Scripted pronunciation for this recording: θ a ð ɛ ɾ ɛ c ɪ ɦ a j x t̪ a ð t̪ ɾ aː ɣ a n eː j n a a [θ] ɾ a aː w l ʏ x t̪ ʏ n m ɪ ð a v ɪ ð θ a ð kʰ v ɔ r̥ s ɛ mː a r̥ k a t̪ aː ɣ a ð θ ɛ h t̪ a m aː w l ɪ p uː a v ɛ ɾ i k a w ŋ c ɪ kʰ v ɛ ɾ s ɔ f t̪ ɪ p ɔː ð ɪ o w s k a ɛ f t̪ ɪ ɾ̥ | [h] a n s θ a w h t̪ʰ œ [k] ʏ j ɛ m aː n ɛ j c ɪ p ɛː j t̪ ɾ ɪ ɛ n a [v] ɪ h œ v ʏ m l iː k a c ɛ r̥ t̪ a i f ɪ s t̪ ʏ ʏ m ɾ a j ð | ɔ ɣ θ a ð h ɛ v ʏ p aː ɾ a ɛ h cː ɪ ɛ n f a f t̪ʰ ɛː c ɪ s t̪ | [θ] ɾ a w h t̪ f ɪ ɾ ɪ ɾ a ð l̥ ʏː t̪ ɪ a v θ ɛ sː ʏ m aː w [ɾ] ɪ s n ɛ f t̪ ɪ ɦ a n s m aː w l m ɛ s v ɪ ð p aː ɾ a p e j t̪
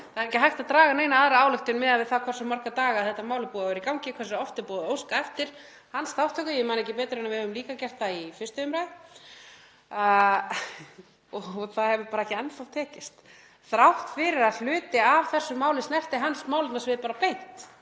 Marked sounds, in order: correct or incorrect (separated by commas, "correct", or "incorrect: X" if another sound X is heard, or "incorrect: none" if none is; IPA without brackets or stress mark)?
incorrect: ð, correct, correct, correct, correct, incorrect: l